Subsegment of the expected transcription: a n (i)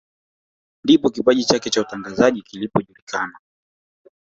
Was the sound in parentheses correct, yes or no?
no